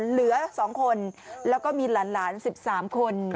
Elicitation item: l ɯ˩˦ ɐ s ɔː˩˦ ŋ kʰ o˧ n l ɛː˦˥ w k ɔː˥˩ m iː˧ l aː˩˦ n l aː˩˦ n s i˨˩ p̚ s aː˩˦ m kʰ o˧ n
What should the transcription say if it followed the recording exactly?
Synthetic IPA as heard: l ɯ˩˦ ɐ s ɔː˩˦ ŋ kʰ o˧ n l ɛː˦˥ w k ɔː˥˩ m iː˧ l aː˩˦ n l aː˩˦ n s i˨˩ p̚ s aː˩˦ m kʰ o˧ n

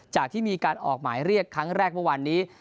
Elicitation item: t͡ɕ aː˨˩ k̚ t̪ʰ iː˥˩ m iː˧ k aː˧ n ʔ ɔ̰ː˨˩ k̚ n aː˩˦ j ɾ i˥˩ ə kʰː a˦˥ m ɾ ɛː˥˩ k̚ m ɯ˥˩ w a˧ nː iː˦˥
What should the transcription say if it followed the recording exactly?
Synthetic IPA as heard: t͡ɕ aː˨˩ k̚ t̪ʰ iː˥˩ m iː˧ k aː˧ n ʔ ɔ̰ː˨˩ k̚ m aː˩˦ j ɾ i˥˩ ə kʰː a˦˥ ŋ ɾ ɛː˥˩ k̚ m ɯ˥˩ w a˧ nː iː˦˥

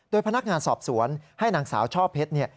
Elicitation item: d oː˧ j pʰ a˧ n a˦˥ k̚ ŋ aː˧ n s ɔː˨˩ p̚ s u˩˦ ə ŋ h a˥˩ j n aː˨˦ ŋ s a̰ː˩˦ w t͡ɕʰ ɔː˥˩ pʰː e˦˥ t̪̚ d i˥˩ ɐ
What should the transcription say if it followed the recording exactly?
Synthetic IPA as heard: d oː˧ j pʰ a˧ n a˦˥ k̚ ŋ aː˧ n s ɔː˨˩ p̚ s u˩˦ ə n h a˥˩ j n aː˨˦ ŋ s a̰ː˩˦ w t͡ɕʰ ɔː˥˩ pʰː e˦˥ t̪̚ n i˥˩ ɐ

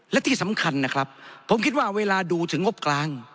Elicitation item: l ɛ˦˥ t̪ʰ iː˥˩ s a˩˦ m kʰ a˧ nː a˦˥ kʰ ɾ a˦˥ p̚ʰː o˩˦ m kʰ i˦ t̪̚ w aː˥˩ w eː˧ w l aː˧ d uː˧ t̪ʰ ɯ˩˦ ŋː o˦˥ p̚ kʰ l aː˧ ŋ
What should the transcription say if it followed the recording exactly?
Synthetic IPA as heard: l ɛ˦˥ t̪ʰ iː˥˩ s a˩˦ m kʰ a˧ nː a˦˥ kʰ ɾ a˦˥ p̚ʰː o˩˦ m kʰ i˦ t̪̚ w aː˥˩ w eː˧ l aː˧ d uː˧ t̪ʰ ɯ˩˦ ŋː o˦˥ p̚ k l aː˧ ŋ

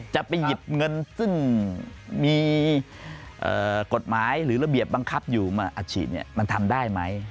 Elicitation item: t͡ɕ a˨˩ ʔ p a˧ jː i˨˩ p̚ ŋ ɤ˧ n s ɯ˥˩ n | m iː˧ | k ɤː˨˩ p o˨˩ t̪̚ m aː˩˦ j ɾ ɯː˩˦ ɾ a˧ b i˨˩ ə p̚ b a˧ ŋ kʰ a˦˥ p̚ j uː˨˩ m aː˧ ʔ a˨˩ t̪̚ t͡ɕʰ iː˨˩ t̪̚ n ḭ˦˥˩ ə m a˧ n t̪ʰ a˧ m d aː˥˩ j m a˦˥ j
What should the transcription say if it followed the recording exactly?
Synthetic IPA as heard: t͡ɕ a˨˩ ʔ p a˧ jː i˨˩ p̚ ŋ ɤ˧ n s ɯ˥˩ ŋ | m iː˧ | ʔ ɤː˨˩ k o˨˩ t̪̚ m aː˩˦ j ɾ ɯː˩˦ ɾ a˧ b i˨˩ ə p̚ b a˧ ŋ kʰ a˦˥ p̚ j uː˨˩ m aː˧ ʔ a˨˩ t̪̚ t͡ɕʰ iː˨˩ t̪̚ n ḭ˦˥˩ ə m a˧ n t̪ʰ a˧ m d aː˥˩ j m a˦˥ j

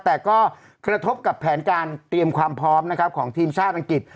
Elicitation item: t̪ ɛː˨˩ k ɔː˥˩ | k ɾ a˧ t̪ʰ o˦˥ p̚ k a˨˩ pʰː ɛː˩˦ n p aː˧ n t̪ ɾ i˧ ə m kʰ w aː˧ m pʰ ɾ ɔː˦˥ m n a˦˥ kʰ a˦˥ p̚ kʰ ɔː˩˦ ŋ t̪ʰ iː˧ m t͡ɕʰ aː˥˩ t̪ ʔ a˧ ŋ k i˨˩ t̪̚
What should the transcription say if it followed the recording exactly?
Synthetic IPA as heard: t̪ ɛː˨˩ k ɔː˥˩ | k ɾ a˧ t̪ʰ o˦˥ p̚ k a˨˩ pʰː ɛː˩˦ n k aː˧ n t̪ ɾ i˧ ə m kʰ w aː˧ m pʰ ɾ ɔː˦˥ m n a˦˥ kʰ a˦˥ p̚ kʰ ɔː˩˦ ŋ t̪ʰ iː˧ m t͡ɕʰ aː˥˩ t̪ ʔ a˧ ŋ k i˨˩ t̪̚

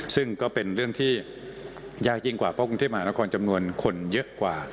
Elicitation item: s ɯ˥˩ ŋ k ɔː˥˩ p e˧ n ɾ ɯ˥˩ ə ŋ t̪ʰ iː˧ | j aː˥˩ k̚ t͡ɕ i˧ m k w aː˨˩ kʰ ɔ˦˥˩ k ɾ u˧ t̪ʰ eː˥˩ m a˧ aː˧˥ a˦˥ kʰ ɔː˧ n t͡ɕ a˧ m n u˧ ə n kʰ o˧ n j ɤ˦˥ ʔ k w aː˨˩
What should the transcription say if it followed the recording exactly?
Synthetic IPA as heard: s ɯ˥˩ ŋ k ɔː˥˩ p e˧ n ɾ ɯ˥˩ ə ŋ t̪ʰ iː˥˩ | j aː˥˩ k̚ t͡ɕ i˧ ŋ k w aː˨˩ pʰ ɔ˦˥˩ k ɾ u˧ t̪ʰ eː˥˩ m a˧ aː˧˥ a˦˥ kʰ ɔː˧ n t͡ɕ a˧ m n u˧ ə n kʰ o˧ n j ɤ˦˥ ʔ k w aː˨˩

